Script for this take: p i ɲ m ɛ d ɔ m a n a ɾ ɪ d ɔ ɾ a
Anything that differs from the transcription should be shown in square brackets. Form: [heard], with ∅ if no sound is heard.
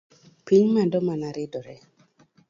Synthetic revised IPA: p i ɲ m [a] d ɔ m a n a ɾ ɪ d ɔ ɾ [ɛ]